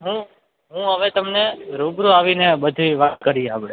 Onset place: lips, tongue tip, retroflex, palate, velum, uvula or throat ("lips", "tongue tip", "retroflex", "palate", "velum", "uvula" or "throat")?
throat